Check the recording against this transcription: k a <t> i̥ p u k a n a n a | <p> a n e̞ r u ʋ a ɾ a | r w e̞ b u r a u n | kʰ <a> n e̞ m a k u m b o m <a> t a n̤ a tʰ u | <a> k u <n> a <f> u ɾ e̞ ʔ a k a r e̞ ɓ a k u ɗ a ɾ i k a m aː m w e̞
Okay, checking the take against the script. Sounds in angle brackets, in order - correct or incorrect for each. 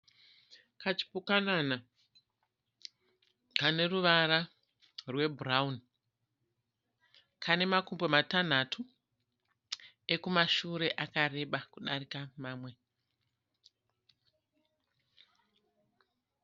incorrect, incorrect, correct, correct, incorrect, incorrect, incorrect

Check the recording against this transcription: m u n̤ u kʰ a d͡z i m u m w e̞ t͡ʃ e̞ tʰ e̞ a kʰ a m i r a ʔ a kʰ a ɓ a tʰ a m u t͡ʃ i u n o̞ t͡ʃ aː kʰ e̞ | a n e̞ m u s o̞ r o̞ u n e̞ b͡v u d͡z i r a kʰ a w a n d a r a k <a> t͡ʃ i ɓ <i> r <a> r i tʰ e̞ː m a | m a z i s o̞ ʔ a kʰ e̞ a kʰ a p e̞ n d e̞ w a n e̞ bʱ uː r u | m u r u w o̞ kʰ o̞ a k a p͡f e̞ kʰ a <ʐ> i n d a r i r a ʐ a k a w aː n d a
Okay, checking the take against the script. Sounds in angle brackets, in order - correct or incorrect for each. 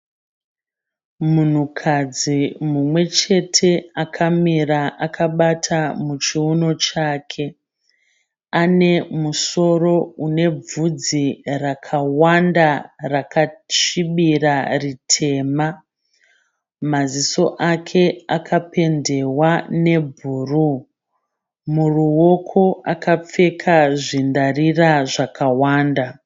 correct, correct, correct, correct

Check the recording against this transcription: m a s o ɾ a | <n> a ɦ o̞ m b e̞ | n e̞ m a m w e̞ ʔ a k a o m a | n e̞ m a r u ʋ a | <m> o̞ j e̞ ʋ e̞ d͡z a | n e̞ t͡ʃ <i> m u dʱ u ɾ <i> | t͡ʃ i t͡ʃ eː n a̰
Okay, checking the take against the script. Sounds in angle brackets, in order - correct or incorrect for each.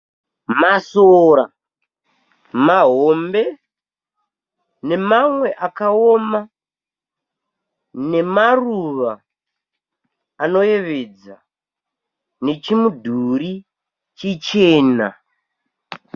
incorrect, incorrect, correct, correct

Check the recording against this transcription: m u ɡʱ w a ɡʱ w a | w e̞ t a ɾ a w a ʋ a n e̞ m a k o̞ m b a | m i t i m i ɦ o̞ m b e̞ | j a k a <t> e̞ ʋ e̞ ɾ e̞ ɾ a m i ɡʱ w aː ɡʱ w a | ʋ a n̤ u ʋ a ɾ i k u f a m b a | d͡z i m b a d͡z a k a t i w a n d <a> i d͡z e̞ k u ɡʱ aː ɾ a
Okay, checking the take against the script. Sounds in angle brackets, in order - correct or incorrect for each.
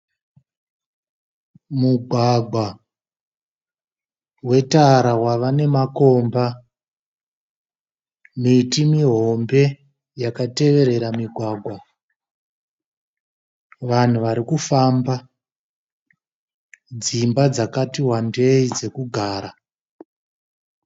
correct, incorrect

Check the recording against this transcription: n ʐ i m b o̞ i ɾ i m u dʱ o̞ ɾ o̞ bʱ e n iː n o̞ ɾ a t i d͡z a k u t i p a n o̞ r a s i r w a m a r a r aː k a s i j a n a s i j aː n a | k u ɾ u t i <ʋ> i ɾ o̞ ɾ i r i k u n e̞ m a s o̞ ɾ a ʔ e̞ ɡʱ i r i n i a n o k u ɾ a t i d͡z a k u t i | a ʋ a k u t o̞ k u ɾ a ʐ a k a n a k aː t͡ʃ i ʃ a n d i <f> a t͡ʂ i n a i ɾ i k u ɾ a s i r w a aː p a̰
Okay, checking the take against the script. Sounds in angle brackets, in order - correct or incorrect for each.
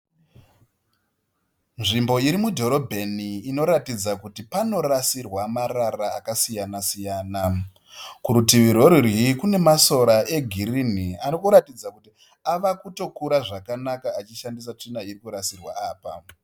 correct, incorrect

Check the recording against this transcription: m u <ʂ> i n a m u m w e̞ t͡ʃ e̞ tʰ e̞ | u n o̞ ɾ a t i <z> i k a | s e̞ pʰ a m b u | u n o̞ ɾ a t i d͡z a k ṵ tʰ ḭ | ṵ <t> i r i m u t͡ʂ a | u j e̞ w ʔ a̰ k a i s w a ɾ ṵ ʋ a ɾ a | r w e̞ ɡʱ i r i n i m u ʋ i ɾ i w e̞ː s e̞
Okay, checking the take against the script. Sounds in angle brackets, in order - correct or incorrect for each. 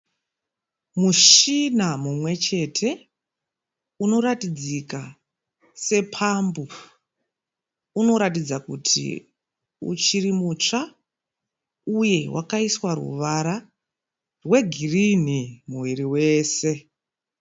incorrect, incorrect, incorrect

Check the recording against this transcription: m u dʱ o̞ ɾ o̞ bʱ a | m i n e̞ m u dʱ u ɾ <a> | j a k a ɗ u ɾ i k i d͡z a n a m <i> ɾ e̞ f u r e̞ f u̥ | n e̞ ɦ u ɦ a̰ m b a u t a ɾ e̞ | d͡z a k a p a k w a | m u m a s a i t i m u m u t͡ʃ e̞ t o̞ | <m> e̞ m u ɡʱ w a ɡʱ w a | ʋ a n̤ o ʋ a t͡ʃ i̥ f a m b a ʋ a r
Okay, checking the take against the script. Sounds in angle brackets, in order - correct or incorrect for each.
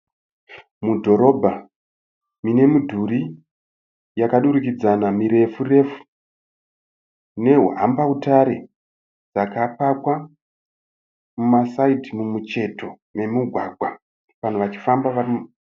incorrect, correct, correct

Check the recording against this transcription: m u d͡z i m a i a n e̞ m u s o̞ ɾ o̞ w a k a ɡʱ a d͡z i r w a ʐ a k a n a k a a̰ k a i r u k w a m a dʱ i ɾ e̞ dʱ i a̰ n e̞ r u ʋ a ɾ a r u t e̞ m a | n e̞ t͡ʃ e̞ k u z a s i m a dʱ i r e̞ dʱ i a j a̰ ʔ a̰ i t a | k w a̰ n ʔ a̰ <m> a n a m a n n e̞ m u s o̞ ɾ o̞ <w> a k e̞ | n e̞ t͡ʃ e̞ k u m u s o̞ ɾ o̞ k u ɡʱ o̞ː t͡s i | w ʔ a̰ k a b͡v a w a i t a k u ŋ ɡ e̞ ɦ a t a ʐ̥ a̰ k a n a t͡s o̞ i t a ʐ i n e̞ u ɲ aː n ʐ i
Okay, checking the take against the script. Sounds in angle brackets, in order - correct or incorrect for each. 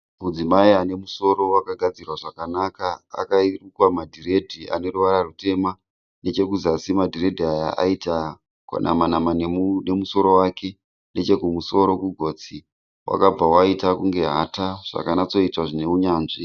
correct, correct

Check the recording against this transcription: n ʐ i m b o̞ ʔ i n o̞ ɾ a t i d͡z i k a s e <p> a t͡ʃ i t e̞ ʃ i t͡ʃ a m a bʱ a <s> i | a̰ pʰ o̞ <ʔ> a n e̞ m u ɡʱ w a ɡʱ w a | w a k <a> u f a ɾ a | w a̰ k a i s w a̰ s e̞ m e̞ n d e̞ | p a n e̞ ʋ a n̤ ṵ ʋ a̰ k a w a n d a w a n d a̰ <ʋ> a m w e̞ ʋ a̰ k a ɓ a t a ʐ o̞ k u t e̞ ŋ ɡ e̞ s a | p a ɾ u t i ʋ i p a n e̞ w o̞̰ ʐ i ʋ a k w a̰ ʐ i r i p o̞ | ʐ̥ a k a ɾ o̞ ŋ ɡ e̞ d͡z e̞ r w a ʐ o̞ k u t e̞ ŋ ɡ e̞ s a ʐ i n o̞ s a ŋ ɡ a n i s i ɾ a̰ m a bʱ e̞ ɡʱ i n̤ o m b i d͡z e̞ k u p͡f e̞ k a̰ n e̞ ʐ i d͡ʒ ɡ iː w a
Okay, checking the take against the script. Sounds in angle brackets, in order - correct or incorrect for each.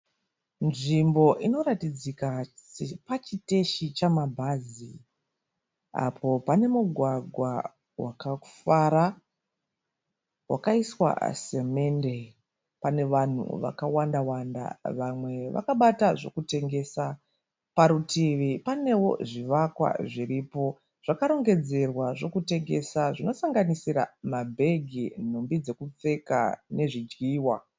correct, incorrect, incorrect, correct, correct

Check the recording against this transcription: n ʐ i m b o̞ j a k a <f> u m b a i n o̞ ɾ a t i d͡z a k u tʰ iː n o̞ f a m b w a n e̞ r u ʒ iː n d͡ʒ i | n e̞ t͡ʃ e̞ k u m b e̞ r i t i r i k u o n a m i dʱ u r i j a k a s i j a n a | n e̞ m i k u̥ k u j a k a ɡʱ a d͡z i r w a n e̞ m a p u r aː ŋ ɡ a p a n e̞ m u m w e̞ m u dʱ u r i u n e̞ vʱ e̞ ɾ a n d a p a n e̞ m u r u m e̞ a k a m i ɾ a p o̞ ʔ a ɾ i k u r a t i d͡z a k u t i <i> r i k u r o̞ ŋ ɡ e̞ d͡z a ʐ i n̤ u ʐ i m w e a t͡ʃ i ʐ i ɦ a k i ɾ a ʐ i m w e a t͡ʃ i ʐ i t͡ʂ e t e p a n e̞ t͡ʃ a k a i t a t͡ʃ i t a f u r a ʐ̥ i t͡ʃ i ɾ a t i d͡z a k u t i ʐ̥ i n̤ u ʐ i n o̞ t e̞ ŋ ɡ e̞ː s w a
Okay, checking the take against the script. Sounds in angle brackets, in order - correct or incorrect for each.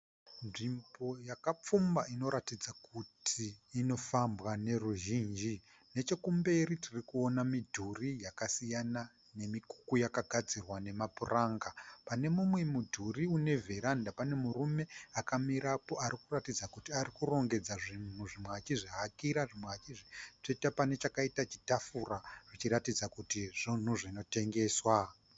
incorrect, incorrect

